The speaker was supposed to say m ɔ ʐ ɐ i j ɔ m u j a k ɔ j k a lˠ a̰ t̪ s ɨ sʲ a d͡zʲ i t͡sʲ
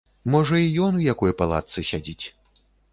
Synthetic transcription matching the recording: m ɔ ʐ ɐ i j ɔ n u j a k ɔ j p a lˠ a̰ t̪ s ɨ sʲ a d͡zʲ i t͡sʲ

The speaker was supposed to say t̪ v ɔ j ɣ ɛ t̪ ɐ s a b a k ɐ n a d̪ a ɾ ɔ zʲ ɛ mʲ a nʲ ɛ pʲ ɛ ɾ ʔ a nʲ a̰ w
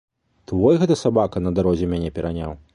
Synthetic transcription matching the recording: t̪ v ɔ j ɣ ɛ t̪ ɐ s a b a k ɐ n ɐ d̪ a ɾ ɔ zʲ ɛ mʲ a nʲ ɛ pʲ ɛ ɾ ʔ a nʲ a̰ w

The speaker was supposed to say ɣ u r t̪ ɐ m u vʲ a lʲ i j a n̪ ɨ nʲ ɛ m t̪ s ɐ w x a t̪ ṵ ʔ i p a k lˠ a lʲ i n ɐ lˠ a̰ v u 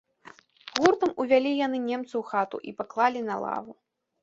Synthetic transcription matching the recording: ɣ u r t̪ ɐ m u vʲ a lʲ i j a n̪ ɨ nʲ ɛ m t̪ s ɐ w x a t̪ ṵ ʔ i p a k lˠ a lʲ i n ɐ lˠ a̰ v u

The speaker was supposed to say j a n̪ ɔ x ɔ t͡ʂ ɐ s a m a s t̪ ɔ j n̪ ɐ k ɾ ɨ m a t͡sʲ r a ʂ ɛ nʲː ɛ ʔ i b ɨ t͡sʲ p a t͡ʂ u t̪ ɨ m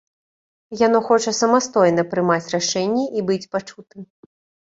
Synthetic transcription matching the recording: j a n̪ ɔ x ɔ t͡ʂ ɐ s ɐ m a s t̪ ɔ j n̪ ɐ p ɾ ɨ m a t͡sʲ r a ʂ ɛ nʲː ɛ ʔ i b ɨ t͡sʲ p a t͡ʂ u t̪ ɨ m

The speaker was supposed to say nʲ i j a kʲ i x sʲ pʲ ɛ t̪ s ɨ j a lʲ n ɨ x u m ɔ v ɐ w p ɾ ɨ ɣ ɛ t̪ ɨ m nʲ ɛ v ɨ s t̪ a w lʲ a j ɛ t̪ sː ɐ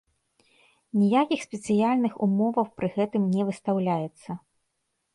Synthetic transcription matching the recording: nʲ i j a kʲ i x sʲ pʲ ɛ t̪ s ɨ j a lʲ n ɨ x u m ɔ v ɐ w p ɾ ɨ ɣ ɛ t̪ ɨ m nʲ ɛ v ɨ s t̪ a w lʲ a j ɛ t̪ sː ɐ

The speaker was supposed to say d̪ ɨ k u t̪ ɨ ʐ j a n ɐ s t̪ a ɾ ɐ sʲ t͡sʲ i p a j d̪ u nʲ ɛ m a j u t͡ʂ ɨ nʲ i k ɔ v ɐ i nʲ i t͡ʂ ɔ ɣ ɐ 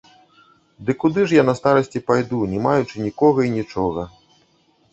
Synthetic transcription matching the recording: d̪ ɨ k u d̪ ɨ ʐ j a n ɐ s t̪ a ɾ ɐ sʲ t͡sʲ i p a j d̪ u nʲ ɛ m a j u t͡ʂ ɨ nʲ i k ɔ ɣ ɐ i nʲ i t͡ʂ ɔ ɣ ɐ

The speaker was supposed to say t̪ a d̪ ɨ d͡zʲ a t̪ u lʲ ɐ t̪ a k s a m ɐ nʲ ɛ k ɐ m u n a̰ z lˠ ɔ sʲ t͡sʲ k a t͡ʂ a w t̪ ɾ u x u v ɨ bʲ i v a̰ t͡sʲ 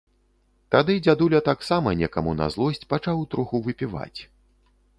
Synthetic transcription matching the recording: t̪ a d̪ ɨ d͡zʲ a d̪ u lʲ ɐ t̪ a k s a m ɐ nʲ ɛ k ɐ m u n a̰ z lˠ ɔ sʲ t͡sʲ p a t͡ʂ a w t̪ ɾ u x u v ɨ pʲ i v a̰ t͡sʲ

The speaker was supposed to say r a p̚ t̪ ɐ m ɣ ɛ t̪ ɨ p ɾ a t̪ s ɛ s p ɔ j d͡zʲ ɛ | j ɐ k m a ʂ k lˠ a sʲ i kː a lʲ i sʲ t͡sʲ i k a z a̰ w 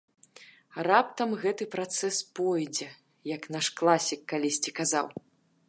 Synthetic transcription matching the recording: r a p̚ t̪ ɐ m ɣ ɛ t̪ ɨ p ɾ a t̪ s ɛ s p ɔ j d͡zʲ ɛ | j ɐ k n a ʂ k lˠ a sʲ i kː a lʲ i sʲ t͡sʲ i k a z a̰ w

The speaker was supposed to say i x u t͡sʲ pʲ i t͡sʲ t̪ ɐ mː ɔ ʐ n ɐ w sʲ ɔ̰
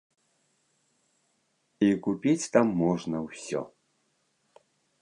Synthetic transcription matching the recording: i k u pʲ i t͡sʲ t̪ a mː ɔ ʐ n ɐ w sʲ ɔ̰

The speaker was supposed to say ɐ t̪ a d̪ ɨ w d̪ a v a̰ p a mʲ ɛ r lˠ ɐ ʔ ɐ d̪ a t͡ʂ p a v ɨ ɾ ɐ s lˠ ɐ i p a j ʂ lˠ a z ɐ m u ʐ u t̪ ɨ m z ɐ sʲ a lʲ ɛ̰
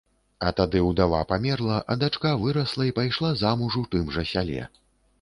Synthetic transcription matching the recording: ɐ t̪ a d̪ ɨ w d̪ a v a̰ p a mʲ ɛ r lˠ ɐ ʔ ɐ d̪ a t͡ʂ k a v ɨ ɾ ɐ s lˠ ɐ i p a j ʂ lˠ a z a m u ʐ u t̪ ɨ m ʐ ɐ sʲ a lʲ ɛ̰

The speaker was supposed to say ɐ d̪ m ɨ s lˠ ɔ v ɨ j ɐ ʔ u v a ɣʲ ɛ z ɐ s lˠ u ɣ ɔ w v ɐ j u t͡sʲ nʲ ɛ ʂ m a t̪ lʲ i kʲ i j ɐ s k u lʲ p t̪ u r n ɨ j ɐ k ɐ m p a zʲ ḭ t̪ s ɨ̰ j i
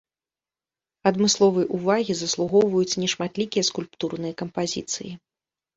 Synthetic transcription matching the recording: ɐ d̪ m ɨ s lˠ ɔ v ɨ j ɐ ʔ u v a ɣʲ i z ɐ s lˠ u ɣ ɔ w v ɐ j u t͡sʲ nʲ ɛ ʂ m a t̪ lʲ i kʲ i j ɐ s k u lʲ p t̪ u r n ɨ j ɐ k ɐ m p a zʲ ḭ t̪ s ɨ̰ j i

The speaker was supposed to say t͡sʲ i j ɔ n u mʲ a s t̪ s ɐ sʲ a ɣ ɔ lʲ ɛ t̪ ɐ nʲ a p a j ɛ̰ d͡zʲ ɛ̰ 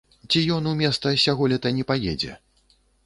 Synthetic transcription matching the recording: t͡sʲ i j ɔ n u mʲ ɛ s t̪ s ɐ sʲ a ɣ ɔ lʲ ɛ t̪ ɐ nʲ ɛ p a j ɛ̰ d͡zʲ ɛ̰

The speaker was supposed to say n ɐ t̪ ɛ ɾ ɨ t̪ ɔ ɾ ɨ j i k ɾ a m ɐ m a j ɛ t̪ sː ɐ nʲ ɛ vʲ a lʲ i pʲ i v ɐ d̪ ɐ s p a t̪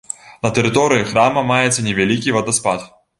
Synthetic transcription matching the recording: n ɐ t̪ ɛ ɾ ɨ t̪ ɔ ɾ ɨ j i x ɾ a m ɐ m a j ɛ t̪ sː ɐ nʲ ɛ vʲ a lʲ i kʲ i v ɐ d̪ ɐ s p a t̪

